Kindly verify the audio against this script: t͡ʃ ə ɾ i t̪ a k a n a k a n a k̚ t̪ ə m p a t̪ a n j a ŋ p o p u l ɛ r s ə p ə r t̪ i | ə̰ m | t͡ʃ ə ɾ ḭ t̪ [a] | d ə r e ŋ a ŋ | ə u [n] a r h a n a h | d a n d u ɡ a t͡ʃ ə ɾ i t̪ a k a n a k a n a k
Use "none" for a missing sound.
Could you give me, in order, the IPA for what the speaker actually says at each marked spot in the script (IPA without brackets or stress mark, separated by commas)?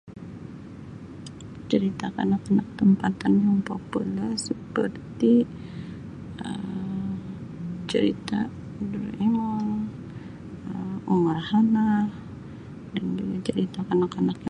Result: a, ŋ